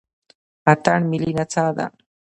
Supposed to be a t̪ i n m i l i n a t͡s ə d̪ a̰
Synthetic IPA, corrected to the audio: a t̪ a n m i l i n a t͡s a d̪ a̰